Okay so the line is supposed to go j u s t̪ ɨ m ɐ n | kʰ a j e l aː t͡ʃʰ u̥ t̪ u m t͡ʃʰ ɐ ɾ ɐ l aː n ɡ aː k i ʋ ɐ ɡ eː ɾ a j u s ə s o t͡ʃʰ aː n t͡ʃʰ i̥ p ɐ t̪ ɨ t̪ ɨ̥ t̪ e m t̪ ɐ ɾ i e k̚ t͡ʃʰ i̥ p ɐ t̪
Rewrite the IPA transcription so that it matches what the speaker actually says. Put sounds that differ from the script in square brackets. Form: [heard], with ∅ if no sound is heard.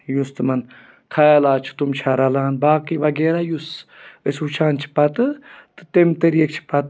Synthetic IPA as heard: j u s t̪ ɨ m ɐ n | kʰ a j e l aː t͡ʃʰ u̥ t̪ u m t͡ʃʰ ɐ ɾ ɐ l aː n [b] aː k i ʋ ɐ ɡ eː ɾ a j u s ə s [u] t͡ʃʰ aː n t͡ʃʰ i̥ p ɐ t̪ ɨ t̪ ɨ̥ t̪ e m t̪ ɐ ɾ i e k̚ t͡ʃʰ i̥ p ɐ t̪